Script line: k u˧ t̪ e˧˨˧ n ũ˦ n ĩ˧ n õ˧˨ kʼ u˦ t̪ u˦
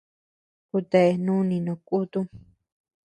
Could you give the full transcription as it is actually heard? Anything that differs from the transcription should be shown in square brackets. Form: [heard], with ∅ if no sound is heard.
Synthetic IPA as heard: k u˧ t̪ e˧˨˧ n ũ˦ n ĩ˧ n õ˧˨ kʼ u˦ t̪ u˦